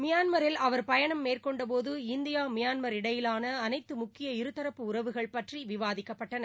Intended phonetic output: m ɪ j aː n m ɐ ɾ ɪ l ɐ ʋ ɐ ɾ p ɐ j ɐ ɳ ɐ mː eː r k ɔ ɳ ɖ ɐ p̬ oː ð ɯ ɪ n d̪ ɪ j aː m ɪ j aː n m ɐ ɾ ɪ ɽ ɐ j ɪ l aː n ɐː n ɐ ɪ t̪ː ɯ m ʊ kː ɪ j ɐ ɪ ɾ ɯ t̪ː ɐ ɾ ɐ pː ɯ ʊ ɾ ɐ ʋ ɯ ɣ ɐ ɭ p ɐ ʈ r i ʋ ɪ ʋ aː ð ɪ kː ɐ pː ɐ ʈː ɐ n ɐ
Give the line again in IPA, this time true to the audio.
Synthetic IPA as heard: m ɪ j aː n m ɐ ɾ ɪ l ɐ ʋ ɐ ɾ p ɐ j ɐ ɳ ɐ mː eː r k ɔ ɳ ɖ ɐ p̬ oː ð ɯ ɪ n d̪ ɪ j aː m ɪ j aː n m ɐ ɾ ɪ ɽ ɐ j ɪ l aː n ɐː n ɐ ɪ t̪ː ɯ m ʊ kː ɪ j ɐ ɪ ɾ ɯ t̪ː ɐ ɾ ɐ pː ɯ ʊ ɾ ɐ ʋ ɯ ɣ ɐ ɭ p ɐ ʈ r i ʋ ɪ ʋ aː ð ɪ kː ɐ pː ɐ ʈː ɐ n ɐ

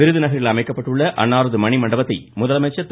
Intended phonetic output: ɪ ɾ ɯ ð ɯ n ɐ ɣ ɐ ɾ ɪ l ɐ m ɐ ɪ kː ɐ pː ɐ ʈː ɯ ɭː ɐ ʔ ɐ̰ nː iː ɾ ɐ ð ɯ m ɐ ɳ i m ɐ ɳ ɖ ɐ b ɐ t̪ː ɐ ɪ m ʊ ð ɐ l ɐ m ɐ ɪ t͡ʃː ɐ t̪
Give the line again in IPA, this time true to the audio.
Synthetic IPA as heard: ɪ ɾ ɯ ð ɯ n ɐ ɣ ɐ ɾ ɪ l ɐ m ɐ ɪ kː ɐ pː ɐ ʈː ɯ ɭː ɐ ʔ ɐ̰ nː aː ɾ ɐ ð ɯ m ɐ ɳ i m ɐ ɳ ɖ ɐ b ɐ t̪ː ɐ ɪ m ʊ ð ɐ l ɐ m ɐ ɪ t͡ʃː ɐ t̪

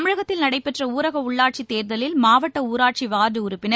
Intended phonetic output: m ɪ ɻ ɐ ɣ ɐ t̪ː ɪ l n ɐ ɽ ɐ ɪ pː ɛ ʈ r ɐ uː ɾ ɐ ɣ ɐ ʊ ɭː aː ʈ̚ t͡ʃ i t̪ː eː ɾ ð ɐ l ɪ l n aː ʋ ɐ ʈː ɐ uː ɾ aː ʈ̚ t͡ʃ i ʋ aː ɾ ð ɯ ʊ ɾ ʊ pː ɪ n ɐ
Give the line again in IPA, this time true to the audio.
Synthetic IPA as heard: m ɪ ɻ ɐ ɣ ɐ t̪ː ɪ l n ɐ ɽ ɐ ɪ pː ɛ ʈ r ɐ uː ɾ ɐ ɣ ɐ ʊ ɭː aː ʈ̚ t͡ʃ i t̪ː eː ɾ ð ɐ l ɪ l m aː ʋ ɐ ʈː ɐ uː ɾ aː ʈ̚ t͡ʃ i ʋ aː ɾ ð ɯ ʊ ɾ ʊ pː ɪ n ɐ

